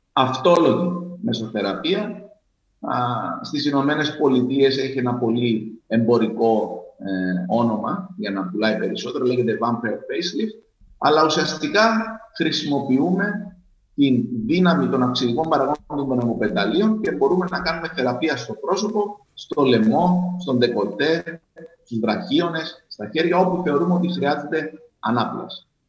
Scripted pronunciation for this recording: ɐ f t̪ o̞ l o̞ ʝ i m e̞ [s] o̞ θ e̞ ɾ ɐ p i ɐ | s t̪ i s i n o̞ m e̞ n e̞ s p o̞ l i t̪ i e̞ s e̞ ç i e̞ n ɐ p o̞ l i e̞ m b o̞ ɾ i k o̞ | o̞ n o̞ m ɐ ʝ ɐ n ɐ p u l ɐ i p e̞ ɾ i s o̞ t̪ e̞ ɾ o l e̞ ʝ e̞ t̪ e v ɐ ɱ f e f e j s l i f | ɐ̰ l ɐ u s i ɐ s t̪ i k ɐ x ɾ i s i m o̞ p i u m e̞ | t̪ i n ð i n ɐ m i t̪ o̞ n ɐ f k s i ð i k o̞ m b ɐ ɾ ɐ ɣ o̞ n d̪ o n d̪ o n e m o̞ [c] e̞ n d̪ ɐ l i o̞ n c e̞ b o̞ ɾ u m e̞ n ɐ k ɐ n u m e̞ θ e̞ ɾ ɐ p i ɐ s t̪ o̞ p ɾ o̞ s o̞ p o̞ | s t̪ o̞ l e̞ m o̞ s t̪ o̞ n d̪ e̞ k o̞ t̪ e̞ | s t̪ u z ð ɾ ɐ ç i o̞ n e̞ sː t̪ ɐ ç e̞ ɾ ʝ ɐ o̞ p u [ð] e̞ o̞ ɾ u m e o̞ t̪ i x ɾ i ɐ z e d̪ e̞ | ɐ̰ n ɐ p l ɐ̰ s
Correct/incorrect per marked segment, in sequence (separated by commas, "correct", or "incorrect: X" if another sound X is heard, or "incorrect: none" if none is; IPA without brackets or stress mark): correct, incorrect: p, incorrect: θ